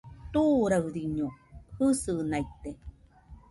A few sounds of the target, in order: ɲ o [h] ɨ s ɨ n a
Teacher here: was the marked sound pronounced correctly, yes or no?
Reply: yes